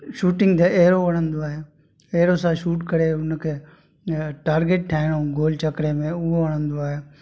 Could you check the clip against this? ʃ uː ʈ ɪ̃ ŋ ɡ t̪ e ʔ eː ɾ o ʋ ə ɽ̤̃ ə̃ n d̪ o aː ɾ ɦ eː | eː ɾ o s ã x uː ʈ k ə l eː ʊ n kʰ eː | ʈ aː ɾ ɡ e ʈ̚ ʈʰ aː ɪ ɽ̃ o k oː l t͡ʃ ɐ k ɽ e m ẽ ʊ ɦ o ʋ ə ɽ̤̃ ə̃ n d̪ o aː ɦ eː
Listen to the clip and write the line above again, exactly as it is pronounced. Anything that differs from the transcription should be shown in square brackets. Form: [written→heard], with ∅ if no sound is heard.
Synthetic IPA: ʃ uː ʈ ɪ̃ ŋ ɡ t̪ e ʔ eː ɾ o ʋ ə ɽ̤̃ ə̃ n d̪ o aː [ɾ→∅] ɦ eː | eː ɾ o s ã [x→ʃ] uː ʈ k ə [l→ɾ] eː ʊ n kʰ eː | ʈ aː ɾ ɡ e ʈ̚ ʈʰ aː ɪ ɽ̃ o [k→ɡ] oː l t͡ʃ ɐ k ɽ e m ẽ ʊ ɦ o ʋ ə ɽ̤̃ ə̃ n d̪ o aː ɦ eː